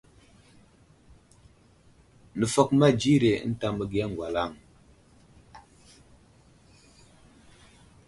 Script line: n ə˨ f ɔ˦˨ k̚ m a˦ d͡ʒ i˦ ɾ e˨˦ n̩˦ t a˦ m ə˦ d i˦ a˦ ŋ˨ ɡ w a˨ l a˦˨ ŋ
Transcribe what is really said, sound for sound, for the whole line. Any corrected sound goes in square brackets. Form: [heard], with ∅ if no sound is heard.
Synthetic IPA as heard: n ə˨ f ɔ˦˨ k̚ m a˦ d͡ʒ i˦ ɾ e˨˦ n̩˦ t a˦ m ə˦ [ɡ] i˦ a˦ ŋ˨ ɡ w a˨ l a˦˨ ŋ